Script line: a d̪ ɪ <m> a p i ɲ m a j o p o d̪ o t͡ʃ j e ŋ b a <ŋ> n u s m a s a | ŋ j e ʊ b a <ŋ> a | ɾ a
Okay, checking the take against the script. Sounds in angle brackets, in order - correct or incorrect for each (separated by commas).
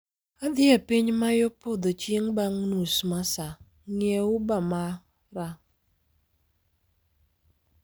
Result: incorrect, correct, incorrect